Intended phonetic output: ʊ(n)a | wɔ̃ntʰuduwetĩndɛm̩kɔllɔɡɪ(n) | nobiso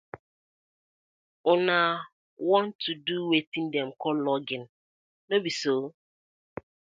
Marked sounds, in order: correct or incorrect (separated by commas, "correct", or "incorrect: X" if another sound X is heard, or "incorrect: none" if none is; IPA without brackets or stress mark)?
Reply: correct, correct